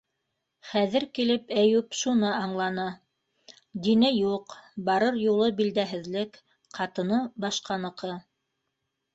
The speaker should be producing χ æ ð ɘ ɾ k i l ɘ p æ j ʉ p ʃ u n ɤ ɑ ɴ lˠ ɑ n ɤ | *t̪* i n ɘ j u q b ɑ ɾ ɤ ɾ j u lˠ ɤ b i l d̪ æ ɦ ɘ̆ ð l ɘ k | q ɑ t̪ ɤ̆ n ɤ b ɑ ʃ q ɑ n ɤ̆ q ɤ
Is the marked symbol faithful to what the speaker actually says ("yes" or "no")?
no